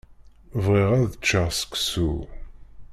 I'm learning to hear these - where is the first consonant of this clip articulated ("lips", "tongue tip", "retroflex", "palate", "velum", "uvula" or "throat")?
lips